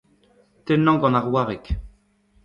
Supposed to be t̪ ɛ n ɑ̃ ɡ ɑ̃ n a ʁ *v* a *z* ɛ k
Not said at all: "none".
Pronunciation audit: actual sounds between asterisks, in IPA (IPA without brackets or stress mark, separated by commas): w, ʁ